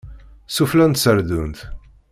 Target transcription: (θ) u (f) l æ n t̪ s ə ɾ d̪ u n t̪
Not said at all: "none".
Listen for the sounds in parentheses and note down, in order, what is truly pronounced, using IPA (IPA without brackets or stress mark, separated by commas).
s, f